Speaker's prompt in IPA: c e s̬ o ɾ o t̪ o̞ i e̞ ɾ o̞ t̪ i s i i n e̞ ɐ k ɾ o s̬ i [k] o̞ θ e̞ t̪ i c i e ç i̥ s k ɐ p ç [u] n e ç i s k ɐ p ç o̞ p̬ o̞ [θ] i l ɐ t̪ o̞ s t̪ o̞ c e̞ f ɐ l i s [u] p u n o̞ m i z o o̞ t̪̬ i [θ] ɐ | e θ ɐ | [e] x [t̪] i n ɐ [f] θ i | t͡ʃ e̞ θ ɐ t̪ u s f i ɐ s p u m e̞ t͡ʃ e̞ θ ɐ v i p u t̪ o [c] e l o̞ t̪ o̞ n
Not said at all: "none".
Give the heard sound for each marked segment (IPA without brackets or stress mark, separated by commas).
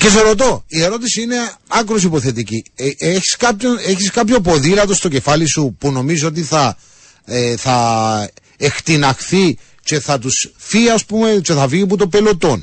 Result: p, o, ð, u, θ, e, t̪, x, p